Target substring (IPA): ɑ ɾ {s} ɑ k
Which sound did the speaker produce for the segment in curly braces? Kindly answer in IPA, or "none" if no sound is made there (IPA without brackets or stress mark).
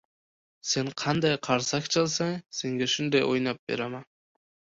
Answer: s